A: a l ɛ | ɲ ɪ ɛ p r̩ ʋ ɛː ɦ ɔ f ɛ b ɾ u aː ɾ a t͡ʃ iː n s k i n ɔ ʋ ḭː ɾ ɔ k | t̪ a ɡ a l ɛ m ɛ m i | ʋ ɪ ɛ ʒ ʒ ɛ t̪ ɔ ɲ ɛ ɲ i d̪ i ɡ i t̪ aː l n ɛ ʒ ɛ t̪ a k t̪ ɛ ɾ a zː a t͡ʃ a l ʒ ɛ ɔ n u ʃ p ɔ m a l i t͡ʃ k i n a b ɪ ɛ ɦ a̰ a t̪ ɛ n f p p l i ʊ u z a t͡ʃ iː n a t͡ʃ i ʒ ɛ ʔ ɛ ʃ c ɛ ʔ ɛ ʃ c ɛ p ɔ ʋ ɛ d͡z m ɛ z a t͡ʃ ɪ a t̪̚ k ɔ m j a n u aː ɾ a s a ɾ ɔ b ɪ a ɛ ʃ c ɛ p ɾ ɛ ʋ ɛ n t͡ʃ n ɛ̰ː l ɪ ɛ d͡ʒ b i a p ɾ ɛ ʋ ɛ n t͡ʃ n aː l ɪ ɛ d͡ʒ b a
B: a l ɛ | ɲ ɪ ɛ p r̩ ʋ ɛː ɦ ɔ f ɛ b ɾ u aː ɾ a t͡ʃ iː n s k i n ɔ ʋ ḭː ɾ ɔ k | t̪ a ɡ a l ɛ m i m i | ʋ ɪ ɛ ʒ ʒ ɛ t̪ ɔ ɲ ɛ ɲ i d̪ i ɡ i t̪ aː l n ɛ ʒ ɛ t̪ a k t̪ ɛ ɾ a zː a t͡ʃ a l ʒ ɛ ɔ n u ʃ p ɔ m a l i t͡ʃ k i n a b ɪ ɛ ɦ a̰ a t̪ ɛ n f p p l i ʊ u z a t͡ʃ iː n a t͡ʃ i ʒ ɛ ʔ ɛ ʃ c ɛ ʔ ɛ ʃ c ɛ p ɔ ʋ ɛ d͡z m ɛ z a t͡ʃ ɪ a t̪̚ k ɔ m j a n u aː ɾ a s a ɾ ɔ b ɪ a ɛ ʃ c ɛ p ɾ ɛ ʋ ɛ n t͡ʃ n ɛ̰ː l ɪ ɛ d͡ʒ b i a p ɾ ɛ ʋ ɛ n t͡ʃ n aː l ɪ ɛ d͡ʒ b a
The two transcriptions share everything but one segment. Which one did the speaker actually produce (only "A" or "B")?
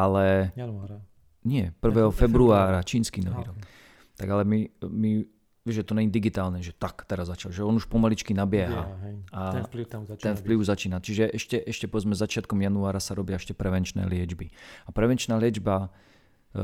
B